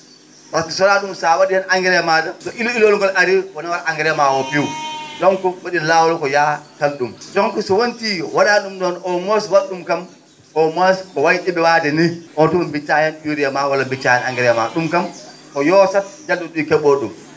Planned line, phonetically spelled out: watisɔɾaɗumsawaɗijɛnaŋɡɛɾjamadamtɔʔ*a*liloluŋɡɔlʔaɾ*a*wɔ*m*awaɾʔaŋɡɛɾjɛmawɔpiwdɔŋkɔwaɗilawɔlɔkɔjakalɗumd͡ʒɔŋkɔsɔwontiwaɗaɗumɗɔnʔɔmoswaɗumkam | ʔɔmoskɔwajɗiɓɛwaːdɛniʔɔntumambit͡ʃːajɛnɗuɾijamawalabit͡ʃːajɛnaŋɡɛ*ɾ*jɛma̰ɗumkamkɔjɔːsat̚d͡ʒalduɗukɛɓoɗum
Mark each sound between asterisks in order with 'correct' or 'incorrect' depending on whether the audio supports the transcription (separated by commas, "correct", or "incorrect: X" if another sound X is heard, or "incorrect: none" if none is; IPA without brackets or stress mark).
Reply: incorrect: i, incorrect: i, incorrect: n, correct